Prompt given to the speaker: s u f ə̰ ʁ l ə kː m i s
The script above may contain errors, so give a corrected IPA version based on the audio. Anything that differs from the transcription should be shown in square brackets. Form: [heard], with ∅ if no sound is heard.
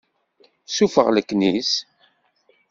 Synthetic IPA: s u f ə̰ ʁ l ə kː [n] i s